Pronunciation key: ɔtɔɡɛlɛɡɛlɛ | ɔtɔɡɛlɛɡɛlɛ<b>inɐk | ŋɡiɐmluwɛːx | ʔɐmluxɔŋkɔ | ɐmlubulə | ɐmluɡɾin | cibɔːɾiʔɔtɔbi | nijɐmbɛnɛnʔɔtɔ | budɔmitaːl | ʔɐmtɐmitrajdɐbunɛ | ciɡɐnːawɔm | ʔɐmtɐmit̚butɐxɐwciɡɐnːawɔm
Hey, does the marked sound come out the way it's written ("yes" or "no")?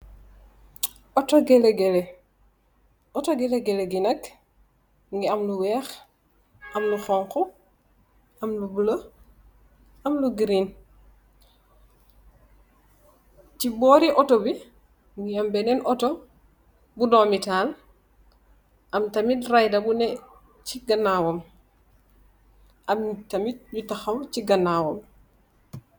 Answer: no